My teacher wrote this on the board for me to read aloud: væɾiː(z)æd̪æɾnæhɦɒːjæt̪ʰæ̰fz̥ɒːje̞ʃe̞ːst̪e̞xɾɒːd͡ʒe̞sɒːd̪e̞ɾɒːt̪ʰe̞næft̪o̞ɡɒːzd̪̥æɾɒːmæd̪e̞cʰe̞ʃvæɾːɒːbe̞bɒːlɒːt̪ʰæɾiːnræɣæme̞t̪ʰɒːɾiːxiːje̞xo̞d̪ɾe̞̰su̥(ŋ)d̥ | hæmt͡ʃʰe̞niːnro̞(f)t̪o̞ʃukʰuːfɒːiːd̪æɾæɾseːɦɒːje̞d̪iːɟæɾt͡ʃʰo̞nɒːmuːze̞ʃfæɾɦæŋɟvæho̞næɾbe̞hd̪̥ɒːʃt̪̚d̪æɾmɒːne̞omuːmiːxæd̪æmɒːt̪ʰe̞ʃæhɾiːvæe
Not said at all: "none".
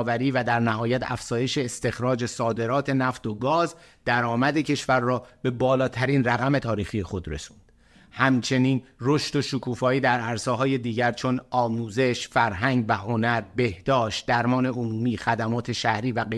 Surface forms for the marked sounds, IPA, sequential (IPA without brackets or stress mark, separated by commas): v, n, ʃ